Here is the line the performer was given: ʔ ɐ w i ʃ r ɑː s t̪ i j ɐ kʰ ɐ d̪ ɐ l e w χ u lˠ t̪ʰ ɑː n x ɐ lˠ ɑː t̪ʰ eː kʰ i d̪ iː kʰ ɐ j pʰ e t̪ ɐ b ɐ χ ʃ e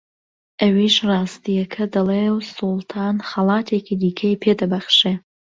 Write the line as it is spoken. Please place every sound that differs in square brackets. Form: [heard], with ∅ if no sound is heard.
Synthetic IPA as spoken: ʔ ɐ w i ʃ r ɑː s t̪ i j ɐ kʰ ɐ d̪ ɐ l e w [s] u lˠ t̪ʰ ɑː n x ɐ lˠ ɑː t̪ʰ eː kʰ i d̪ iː kʰ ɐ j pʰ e [d̪] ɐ b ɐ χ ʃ e